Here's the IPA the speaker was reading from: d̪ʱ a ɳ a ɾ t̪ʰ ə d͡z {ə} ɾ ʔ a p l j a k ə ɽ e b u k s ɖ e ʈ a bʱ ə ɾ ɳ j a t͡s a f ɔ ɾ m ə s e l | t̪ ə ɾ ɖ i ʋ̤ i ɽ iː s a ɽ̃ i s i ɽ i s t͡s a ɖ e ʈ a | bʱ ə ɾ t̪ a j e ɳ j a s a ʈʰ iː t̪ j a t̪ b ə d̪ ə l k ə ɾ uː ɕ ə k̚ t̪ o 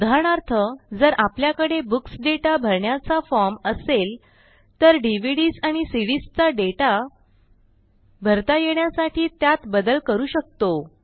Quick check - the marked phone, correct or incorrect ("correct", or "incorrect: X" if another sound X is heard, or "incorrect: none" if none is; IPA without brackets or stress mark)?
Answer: correct